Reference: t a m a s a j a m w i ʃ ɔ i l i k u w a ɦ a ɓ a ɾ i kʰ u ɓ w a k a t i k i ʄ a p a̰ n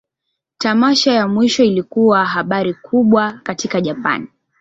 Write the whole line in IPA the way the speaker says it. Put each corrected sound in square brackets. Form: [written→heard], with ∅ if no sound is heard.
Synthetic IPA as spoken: t a m a [s→ʃ] a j a m w i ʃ ɔ i l i k u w a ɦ a ɓ a ɾ i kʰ u ɓ w a k a t i k [i→a] ʄ a p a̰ n